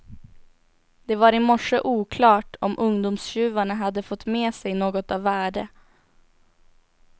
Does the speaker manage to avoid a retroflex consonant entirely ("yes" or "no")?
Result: no